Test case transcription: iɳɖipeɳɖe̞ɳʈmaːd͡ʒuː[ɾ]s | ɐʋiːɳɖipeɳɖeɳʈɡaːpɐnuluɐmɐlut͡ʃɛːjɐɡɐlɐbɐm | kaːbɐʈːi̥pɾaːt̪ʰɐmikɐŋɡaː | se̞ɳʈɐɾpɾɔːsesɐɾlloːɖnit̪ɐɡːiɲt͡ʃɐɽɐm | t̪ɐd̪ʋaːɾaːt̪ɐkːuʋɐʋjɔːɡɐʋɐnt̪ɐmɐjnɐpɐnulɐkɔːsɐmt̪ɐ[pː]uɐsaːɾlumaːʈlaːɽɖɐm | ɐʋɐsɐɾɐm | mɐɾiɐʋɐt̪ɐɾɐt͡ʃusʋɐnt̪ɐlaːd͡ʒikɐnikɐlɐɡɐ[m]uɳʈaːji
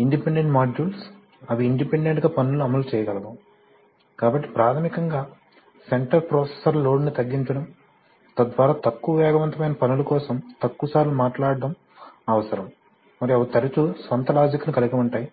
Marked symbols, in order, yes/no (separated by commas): no, no, yes